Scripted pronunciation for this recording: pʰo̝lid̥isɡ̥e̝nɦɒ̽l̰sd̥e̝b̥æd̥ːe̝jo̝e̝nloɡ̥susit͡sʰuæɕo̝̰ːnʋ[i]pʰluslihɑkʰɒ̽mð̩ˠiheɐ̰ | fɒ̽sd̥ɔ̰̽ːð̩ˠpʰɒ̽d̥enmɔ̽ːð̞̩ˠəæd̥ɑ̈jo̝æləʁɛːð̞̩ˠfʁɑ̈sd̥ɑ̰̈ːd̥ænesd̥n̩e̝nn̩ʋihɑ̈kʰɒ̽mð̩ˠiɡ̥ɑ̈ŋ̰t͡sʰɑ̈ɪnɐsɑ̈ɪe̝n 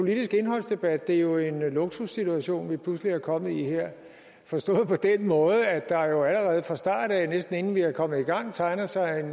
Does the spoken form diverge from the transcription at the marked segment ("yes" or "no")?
no